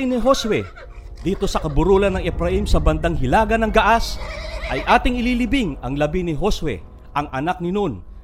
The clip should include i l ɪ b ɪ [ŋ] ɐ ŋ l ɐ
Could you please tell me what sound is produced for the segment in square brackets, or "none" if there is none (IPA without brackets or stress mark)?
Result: ŋ